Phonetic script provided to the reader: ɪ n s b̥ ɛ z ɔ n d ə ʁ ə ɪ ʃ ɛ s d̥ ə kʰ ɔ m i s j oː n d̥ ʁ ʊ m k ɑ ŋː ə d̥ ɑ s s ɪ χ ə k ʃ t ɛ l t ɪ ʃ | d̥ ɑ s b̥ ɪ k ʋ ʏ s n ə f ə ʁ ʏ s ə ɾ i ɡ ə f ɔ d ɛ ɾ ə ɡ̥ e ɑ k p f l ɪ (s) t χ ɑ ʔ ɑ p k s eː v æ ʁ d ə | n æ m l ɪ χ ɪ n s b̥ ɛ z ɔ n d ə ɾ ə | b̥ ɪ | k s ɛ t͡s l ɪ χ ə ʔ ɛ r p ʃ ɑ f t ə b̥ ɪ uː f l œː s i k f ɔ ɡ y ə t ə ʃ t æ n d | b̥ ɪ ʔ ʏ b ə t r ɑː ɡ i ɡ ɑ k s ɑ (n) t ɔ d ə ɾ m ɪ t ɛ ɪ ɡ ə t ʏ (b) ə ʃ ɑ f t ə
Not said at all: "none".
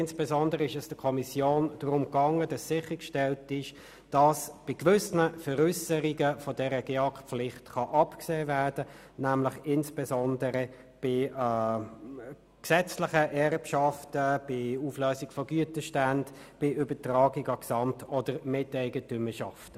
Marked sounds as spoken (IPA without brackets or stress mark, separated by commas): χ, m, m